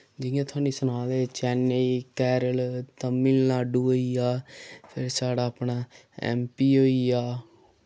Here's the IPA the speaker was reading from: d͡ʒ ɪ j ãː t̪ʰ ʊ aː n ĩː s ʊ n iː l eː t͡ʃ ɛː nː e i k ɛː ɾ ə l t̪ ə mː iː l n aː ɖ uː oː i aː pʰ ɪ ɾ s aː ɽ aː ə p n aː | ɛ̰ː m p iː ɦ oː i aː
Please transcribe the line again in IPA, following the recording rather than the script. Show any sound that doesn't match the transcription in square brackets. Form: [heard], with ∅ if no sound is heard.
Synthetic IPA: d͡ʒ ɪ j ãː t̪ʰ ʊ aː n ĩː s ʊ n [aː] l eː t͡ʃ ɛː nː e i k ɛː ɾ ə l t̪ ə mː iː l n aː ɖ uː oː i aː pʰ ɪ ɾ s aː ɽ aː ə p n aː | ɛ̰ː m p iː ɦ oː i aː